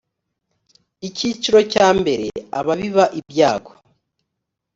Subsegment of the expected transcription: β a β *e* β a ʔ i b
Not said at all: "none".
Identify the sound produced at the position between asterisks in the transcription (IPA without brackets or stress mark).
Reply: i